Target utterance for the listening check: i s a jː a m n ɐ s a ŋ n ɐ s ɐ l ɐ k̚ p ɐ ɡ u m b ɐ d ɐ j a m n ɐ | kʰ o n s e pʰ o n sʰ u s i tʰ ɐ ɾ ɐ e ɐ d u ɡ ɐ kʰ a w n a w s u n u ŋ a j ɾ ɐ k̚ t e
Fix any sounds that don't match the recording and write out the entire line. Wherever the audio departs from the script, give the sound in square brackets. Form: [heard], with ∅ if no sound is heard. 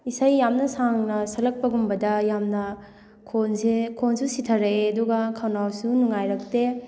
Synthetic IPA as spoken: i s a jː a m n ɐ s a ŋ n ɐ s ɐ l ɐ k̚ p ɐ ɡ u m b ɐ d ɐ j a m n ɐ | kʰ o n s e [kʰ] o n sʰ u s i tʰ ɐ ɾ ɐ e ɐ d u ɡ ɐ kʰ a w n a w s u n u ŋ a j ɾ ɐ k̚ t e